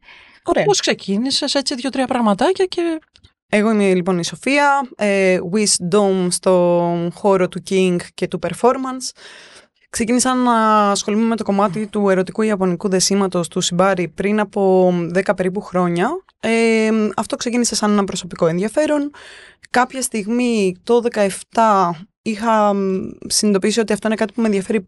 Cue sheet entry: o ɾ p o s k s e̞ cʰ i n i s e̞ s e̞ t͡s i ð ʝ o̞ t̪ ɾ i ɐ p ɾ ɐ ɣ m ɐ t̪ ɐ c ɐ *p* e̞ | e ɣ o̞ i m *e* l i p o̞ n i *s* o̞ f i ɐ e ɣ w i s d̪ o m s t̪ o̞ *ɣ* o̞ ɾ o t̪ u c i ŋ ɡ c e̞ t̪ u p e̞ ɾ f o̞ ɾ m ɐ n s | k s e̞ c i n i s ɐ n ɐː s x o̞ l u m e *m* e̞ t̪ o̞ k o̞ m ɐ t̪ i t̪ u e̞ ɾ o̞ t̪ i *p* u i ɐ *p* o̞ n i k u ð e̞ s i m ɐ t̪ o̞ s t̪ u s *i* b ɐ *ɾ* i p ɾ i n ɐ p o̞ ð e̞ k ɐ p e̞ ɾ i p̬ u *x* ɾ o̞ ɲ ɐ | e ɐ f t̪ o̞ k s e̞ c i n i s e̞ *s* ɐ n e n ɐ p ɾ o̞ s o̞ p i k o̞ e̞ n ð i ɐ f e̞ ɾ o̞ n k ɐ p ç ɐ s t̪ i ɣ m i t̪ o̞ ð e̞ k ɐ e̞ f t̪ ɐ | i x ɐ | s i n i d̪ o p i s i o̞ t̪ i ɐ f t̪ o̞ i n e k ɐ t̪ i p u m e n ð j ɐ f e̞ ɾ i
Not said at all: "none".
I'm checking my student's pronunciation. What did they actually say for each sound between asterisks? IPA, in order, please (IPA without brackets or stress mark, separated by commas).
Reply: c, e, s, x, m, k, p, i, ɾ, x, s